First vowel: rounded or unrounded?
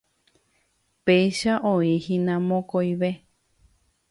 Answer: unrounded